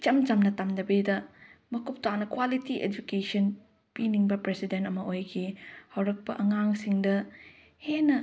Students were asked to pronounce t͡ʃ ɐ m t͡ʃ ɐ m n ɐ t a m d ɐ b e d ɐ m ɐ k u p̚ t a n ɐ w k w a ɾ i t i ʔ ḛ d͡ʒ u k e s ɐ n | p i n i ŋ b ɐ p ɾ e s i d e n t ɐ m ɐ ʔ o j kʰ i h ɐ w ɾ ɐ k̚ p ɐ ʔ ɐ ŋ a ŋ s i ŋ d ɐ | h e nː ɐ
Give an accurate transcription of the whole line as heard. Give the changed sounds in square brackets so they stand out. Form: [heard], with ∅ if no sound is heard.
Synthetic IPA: t͡ʃ ɐ m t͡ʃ ɐ m n ɐ t a m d ɐ b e d ɐ m ɐ k u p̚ t a n ɐ [∅] k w a [l] i t i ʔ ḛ d͡ʒ u k e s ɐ n | p i n i ŋ b ɐ p ɾ e s i d e n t ɐ m ɐ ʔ o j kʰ i h ɐ w ɾ ɐ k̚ p ɐ ʔ ɐ ŋ a ŋ s i ŋ d ɐ | h e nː ɐ